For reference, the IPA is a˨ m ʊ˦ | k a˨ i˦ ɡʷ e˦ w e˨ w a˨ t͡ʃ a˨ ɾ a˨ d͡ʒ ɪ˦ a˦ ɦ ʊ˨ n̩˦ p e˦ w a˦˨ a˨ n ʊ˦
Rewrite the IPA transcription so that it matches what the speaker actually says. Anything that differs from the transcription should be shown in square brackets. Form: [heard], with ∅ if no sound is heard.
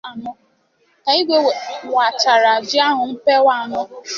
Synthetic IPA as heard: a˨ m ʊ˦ | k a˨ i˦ ɡʷ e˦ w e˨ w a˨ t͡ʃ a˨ ɾ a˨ d͡ʒ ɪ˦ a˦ ɦ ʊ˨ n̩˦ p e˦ w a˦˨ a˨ n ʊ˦

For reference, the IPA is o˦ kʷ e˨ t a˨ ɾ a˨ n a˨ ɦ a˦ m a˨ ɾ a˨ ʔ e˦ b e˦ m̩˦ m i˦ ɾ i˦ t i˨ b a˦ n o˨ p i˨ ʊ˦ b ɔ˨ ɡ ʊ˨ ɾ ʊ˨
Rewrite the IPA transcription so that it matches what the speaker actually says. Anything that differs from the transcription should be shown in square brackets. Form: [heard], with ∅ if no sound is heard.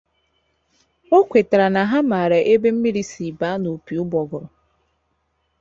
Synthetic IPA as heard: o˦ kʷ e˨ t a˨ ɾ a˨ n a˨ ɦ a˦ m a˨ ɾ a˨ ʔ e˦ b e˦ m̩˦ m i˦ ɾ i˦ [s] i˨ b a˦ n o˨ p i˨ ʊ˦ b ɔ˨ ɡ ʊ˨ ɾ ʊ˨

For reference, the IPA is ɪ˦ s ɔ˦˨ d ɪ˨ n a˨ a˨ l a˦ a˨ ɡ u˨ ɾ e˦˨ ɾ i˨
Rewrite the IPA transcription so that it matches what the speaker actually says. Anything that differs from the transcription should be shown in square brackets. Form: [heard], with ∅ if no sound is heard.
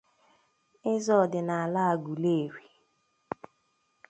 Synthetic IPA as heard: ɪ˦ [z] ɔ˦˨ d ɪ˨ n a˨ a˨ l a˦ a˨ ɡ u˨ [l] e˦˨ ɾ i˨

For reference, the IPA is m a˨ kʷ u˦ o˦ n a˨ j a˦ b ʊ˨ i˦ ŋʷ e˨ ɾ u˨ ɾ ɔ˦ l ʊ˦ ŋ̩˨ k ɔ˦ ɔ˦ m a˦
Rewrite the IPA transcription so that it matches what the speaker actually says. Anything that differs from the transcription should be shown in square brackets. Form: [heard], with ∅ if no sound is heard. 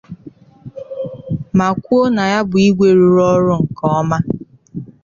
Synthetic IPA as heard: m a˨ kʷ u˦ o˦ n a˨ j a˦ b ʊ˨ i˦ [ɡʷ] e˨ ɾ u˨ ɾ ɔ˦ [ɾ] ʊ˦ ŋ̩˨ k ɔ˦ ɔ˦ m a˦

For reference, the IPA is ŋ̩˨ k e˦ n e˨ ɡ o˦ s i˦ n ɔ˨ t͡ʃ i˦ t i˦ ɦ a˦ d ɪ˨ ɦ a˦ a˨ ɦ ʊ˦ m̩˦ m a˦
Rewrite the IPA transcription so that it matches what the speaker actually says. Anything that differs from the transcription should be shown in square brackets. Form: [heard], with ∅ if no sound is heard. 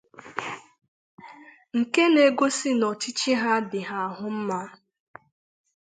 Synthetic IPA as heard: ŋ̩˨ k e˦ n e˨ ɡ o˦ s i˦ n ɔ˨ t͡ʃ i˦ [t͡ʃ] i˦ ɦ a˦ d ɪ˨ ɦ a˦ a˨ ɦ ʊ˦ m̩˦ m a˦

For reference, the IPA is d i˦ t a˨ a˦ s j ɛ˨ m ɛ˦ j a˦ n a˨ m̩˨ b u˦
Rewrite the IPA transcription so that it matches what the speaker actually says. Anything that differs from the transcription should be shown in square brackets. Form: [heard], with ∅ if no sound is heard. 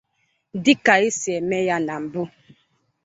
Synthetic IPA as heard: d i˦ [k] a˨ [i˦] s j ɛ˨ m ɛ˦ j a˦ n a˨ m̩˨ b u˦

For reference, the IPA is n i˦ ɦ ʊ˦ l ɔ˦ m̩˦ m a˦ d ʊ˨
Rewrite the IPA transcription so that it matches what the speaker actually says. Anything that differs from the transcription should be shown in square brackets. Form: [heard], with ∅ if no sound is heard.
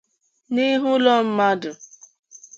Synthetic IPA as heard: n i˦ ɦ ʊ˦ l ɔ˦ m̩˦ m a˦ d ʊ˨

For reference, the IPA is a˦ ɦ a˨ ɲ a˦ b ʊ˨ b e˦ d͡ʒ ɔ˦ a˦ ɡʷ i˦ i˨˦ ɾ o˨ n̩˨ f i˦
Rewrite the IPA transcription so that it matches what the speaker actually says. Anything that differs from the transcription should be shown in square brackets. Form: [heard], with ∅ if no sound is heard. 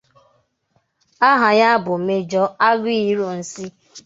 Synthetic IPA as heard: a˦ ɦ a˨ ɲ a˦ b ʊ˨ [m] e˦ d͡ʒ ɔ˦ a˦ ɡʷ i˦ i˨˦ ɾ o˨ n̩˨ [s] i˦

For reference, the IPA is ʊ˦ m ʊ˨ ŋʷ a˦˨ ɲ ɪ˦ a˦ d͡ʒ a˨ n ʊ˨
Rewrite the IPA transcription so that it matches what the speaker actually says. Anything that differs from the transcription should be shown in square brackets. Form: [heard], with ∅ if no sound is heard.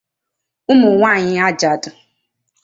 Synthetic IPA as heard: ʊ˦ m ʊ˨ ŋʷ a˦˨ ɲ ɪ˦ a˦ d͡ʒ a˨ [d] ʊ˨

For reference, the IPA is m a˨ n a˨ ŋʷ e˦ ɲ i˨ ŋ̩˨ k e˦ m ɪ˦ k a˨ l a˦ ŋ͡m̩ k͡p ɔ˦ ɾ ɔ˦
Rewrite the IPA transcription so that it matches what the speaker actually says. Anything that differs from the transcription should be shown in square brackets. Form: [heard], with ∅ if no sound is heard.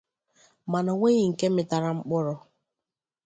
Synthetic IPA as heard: m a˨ n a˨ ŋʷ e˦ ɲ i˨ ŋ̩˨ k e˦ m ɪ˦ [t] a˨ [ɾ] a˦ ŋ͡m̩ k͡p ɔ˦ ɾ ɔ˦

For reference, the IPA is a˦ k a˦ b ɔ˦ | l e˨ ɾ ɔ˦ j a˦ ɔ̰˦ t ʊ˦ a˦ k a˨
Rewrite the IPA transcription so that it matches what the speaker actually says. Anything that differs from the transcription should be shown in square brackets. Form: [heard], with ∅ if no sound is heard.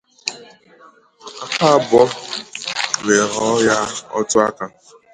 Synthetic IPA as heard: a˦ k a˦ b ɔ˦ | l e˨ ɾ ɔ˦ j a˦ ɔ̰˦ t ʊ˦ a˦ k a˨

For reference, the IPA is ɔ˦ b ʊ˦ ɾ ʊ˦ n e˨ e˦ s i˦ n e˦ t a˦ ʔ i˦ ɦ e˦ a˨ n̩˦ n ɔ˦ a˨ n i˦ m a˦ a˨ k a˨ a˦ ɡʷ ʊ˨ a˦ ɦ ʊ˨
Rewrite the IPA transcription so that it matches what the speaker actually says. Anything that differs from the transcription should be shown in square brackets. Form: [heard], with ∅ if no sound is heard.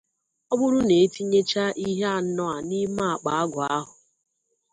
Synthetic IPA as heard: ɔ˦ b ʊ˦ ɾ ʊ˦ n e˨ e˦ [t] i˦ [ɲ] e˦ [t͡ʃ] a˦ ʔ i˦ ɦ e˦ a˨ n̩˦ n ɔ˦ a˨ n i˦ m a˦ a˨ [k͡p] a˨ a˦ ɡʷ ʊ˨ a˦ ɦ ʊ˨

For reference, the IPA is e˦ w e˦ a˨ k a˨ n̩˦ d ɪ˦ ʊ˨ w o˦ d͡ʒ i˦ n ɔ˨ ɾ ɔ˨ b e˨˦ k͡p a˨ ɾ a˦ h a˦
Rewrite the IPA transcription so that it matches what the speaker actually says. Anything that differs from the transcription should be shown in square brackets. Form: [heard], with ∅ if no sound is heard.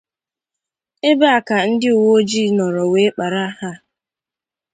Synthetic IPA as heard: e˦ [b] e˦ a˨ k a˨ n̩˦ d ɪ˦ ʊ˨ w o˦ d͡ʒ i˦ n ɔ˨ ɾ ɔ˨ [w] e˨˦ k͡p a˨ ɾ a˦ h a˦

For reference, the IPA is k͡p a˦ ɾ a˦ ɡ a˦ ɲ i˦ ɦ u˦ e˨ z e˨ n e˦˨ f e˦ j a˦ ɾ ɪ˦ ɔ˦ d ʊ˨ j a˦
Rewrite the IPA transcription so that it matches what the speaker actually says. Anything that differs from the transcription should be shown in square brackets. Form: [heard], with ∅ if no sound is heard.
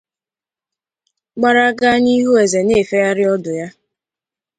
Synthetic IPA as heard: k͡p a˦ ɾ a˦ ɡ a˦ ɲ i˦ ɦ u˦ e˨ z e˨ n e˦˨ f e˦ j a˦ ɾ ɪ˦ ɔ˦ d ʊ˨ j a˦

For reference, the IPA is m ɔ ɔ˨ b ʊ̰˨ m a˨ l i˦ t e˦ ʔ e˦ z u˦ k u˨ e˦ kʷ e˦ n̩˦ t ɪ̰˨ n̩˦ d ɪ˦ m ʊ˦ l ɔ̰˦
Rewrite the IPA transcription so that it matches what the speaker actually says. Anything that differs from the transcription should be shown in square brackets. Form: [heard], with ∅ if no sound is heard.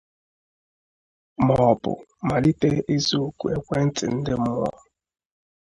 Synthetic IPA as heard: m ɔ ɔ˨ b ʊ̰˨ m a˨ l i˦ t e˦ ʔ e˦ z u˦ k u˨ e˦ kʷ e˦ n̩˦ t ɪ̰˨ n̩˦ d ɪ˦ m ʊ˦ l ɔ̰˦

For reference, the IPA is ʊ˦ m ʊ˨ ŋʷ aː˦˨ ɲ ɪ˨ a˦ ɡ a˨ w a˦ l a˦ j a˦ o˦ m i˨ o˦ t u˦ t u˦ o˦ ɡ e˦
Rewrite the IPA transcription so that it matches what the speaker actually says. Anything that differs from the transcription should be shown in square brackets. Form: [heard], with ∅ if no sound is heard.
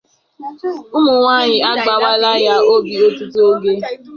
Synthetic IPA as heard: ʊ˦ m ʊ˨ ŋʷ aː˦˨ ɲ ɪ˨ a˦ [ɡ͡b] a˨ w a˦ l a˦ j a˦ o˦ [b] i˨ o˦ t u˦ t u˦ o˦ ɡ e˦

